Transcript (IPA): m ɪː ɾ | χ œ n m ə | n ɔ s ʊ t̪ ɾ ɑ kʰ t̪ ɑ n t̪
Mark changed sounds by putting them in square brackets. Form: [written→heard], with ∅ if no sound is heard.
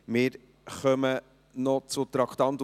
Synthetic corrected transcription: m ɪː ɾ | χ œ [n→∅] m ə | n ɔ [s→t͡s] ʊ t̪ ɾ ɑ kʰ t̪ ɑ n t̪